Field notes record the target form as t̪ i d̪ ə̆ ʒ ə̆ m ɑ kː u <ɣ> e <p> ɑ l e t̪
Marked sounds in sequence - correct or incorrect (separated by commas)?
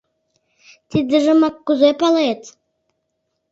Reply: incorrect, correct